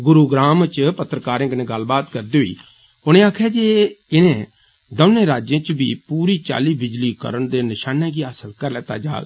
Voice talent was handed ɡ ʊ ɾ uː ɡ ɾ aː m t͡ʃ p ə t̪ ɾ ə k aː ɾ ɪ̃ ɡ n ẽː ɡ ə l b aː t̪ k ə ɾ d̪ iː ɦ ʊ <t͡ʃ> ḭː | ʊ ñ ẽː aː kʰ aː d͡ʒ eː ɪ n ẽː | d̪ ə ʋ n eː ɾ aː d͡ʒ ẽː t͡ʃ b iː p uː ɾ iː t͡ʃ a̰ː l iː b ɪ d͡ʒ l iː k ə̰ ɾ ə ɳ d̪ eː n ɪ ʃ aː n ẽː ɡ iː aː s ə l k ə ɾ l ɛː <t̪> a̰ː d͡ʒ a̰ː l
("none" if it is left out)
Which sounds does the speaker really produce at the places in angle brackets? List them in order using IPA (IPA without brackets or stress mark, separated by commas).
none, t̪